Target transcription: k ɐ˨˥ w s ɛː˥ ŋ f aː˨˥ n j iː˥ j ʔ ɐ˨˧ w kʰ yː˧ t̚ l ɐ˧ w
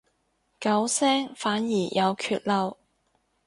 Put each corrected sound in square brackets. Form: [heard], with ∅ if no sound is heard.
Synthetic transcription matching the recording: k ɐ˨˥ w s ɛː˥ ŋ f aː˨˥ n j [iː˨˩] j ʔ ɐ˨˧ w kʰ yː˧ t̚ l ɐ˧ w